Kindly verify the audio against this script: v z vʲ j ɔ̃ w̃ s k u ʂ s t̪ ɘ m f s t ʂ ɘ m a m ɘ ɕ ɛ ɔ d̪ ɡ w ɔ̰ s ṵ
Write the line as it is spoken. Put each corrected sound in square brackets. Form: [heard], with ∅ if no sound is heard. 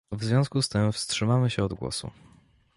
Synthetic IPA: v z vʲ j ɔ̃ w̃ s k u [∅] s t̪ ɘ m f s t ʂ ɘ m a m ɘ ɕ ɛ ɔ d̪ ɡ w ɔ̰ s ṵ